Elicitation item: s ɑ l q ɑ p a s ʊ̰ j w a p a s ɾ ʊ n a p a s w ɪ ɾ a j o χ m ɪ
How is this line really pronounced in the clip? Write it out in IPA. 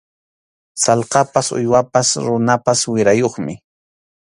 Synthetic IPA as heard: s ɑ l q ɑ p a s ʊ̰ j w a p a s ɾ ʊ n a p a s w ɪ ɾ a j o χ m ɪ

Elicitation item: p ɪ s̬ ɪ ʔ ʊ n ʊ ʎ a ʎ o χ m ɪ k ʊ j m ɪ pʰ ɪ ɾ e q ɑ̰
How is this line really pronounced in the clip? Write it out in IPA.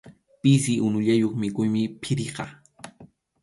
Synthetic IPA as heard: p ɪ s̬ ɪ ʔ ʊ n ʊ ʎ a j o χ m ɪ k ʊ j m ɪ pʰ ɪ ɾ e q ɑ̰

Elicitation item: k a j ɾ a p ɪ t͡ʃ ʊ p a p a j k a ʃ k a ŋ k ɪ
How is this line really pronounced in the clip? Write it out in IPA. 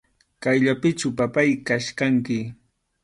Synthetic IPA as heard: k a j ʎ a p ɪ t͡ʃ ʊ p a p a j k a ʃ k a ŋ k ɪ

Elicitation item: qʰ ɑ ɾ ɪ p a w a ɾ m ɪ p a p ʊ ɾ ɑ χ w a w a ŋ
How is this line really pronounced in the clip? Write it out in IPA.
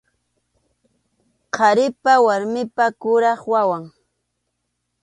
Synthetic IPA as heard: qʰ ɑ ɾ ɪ p a w a ɾ m ɪ p a k ʊ ɾ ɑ χ w a w a ŋ

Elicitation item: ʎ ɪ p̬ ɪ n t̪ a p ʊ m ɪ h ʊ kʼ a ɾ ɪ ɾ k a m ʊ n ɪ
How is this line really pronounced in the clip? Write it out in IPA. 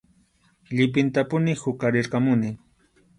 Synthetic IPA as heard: ʎ ɪ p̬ ɪ n t̪ a p ʊ n ɪ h ʊ k a ɾ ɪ ɾ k a m ʊ n ɪ

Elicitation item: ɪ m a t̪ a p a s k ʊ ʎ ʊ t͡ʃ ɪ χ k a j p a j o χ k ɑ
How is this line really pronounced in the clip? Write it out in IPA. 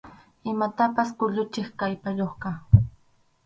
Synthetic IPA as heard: ɪ m a t̪ a p a s k ʊ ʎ ʊ t͡ʃ ɪ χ k a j p a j o χ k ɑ

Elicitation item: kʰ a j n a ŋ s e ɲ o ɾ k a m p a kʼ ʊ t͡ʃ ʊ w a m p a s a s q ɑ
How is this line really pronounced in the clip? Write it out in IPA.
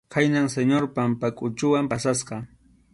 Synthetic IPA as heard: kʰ a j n a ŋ s e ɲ o ɾ p a m p a kʼ ʊ t͡ʃ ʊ w a m p a s a s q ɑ

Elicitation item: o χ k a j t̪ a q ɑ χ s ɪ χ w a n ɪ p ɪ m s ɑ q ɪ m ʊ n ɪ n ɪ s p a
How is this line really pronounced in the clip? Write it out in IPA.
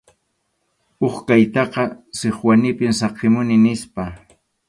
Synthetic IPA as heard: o χ k a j t̪ ɑ q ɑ s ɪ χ w a n ɪ p ɪ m s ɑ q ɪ m ʊ n ɪ n ɪ s p a

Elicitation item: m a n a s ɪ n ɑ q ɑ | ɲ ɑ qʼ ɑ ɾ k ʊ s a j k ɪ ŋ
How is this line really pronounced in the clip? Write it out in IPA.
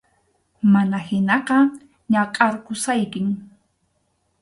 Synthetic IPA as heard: m a n a h ɪ n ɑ q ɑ | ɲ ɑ qʼ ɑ ɾ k ʊ s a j k ɪ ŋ

